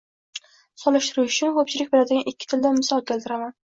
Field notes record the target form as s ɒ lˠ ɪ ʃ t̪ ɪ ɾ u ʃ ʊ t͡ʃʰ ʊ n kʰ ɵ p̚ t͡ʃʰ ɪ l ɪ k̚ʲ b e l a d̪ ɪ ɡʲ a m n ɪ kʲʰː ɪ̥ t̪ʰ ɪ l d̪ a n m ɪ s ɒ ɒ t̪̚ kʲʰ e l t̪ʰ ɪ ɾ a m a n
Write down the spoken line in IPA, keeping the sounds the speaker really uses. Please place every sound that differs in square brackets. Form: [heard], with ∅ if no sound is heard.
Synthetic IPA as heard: s ɒ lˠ ɪ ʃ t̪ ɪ ɾ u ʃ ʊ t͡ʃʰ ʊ n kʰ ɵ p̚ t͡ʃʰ ɪ l ɪ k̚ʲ b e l a d̪ ɪ ɡʲ a [∅] n ɪ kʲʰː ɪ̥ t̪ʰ ɪ l d̪ a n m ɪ s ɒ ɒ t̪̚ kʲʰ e l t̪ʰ ɪ ɾ a m a n